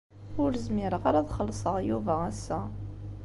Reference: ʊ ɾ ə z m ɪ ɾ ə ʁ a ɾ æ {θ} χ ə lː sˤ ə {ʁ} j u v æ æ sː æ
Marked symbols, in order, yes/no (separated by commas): no, yes